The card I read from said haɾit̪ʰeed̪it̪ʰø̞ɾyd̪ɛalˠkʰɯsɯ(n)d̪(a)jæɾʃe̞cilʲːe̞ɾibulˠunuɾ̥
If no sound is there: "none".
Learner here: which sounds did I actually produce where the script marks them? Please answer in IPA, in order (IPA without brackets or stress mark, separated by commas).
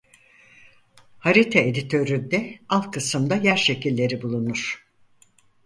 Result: m, a